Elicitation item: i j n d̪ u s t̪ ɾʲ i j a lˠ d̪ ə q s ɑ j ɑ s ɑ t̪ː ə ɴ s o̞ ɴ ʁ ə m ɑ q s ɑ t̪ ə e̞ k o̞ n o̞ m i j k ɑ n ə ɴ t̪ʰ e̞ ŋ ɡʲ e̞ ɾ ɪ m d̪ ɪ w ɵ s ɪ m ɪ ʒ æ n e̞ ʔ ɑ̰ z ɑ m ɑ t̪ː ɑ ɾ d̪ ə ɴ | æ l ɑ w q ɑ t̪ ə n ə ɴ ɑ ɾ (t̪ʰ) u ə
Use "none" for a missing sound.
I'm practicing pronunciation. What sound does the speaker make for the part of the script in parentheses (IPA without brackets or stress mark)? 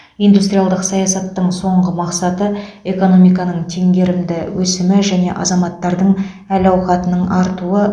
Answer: t̪